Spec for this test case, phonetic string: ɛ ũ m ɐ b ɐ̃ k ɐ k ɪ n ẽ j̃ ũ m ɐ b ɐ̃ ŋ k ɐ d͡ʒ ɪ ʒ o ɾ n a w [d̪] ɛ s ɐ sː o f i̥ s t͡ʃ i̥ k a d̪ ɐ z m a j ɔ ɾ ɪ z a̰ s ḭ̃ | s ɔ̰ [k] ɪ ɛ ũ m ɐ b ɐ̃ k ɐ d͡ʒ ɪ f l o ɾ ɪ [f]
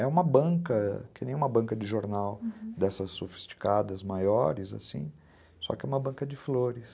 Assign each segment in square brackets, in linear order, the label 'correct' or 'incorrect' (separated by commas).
correct, correct, incorrect